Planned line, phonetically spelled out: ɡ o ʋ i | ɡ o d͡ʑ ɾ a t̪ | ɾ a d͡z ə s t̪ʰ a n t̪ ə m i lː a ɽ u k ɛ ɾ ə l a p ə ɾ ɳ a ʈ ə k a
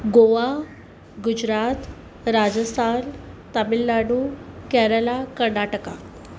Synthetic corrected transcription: ɡ o ʋ a | ɡ u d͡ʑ ɾ a t̪ | ɾ a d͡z ə s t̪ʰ a n t̪ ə m i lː a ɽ u k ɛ ɾ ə l a k ə ɾ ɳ a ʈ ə k a